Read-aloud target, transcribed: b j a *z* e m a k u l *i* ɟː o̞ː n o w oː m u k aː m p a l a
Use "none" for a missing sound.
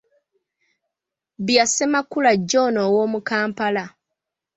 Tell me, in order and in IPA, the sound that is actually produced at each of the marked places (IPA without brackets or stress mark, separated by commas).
s, a